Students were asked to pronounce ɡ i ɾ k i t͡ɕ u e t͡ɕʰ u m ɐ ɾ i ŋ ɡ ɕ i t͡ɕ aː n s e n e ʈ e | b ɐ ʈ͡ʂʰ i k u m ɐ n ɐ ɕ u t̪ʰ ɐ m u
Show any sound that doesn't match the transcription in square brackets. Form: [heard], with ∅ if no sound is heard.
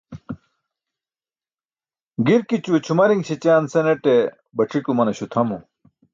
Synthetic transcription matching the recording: ɡ i ɾ k i t͡ɕ u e t͡ɕʰ u m ɐ ɾ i ŋ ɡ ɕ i t͡ɕ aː n s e n e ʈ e | b ɐ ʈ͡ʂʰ i k u m ɐ n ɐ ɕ u t̪ʰ ɐ m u